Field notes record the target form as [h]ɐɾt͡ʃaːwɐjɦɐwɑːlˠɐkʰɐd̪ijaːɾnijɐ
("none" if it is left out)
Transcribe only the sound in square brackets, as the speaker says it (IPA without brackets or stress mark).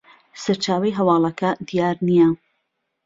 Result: s